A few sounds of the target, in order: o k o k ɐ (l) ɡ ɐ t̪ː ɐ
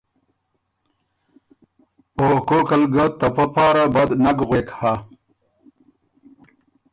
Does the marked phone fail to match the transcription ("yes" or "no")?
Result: no